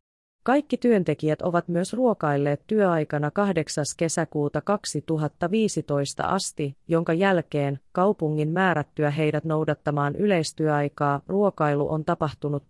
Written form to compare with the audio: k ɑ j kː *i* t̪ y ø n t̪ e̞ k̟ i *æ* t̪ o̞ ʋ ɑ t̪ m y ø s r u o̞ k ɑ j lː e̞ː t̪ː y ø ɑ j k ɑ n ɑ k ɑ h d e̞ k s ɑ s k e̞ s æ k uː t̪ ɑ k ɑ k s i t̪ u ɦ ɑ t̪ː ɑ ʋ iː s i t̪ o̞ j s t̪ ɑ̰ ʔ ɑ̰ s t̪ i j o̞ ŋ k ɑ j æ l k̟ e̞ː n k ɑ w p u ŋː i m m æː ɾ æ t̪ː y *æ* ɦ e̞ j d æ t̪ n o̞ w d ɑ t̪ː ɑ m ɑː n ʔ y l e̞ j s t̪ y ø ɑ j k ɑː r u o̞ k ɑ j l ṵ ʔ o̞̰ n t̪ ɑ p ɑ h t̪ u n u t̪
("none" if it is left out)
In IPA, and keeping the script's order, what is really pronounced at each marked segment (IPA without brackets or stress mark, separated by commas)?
i, æ, æ